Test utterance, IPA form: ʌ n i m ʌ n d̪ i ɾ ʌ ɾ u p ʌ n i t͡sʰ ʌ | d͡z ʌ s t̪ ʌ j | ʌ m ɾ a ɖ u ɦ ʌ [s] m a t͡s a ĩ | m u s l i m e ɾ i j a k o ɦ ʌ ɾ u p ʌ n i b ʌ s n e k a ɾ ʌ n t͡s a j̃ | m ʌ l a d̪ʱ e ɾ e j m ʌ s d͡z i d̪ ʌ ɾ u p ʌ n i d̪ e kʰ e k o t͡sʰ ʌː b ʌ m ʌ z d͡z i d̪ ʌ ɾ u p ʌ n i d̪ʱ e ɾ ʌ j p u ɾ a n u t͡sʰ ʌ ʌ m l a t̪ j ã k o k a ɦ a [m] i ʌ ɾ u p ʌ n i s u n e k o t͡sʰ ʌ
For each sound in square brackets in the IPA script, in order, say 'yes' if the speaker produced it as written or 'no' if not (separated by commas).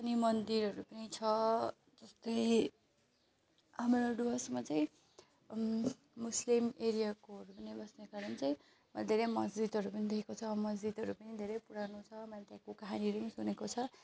yes, no